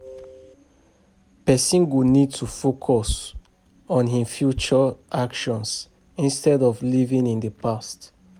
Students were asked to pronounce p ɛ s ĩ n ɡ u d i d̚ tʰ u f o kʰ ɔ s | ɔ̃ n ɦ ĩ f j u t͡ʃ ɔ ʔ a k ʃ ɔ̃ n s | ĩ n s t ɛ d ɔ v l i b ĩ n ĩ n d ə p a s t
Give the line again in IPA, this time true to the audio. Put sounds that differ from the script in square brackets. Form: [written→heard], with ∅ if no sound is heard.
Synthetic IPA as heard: p ɛ s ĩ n ɡ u [d→n] i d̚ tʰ u f o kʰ ɔ s | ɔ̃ n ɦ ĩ f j u t͡ʃ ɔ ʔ a k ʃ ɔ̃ n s | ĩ n s t ɛ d ɔ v l i [b→v] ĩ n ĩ n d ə p a s t